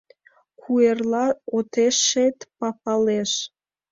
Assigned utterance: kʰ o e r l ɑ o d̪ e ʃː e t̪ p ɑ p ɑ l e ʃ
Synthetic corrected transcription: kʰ u e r l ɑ o t̪ e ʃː e t̪ p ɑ p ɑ l e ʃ